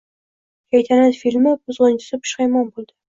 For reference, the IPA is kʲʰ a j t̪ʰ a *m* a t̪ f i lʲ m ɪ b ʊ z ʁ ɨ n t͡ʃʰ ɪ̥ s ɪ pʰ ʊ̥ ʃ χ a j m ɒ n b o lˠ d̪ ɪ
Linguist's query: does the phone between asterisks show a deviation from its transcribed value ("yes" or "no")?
yes